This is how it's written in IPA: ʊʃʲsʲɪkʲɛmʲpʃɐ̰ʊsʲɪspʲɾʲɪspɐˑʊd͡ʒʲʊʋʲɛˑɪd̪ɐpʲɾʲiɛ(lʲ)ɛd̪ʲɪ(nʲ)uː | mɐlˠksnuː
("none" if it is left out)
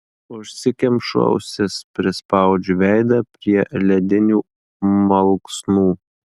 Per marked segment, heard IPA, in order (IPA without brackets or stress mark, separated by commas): lʲ, nʲ